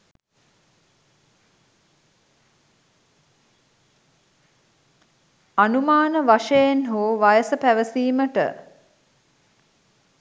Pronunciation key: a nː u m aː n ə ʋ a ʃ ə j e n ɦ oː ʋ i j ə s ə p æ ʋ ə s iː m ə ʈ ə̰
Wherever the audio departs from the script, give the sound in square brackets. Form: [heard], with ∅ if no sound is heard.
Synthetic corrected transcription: a [n] u m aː n ə ʋ a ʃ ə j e n ɦ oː ʋ [a] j ə s ə p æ ʋ ə s iː m ə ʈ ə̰